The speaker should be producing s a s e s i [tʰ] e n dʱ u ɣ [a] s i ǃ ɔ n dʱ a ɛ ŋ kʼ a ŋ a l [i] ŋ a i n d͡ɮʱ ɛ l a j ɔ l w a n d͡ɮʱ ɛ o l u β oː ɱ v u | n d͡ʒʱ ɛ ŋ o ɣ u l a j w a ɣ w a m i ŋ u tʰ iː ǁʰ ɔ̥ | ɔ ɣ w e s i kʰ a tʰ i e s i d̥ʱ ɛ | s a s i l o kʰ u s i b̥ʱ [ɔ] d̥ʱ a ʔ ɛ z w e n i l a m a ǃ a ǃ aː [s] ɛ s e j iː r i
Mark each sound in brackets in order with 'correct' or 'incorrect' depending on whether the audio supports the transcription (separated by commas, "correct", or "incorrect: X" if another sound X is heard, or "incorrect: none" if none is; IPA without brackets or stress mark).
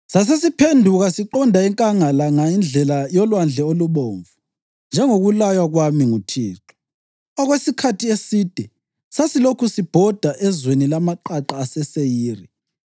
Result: incorrect: pʰ, correct, incorrect: a, correct, correct